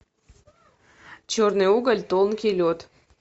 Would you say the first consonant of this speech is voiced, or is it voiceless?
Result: voiceless